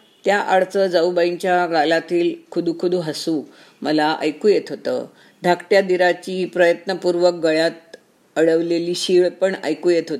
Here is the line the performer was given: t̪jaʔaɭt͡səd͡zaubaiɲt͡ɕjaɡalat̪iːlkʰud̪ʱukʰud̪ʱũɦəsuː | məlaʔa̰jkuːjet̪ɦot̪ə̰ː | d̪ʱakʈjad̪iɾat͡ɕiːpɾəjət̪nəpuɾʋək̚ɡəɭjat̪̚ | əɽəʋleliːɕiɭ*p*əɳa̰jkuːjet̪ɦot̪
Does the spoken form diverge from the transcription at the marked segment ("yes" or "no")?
no